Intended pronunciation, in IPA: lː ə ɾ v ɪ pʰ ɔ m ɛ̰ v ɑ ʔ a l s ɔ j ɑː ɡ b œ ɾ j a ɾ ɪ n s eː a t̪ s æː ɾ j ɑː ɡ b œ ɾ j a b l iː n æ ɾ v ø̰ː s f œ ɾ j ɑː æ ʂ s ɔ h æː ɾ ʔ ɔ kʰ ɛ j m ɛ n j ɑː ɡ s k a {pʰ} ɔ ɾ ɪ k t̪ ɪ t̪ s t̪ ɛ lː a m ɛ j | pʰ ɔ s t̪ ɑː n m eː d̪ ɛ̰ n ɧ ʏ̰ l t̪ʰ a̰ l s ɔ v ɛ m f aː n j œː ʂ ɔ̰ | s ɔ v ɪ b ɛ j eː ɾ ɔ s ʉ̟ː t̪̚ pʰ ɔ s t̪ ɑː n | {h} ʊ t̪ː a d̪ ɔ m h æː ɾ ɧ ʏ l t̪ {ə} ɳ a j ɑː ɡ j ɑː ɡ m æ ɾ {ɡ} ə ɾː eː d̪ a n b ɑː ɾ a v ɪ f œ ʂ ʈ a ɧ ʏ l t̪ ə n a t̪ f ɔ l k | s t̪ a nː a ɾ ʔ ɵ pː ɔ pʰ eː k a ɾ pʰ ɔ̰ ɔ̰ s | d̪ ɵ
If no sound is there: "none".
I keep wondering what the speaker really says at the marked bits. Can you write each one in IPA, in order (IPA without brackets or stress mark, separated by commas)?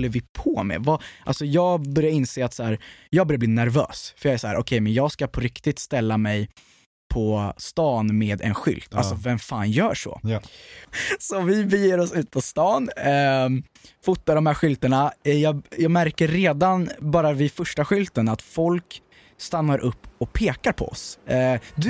pʰ, f, ə, k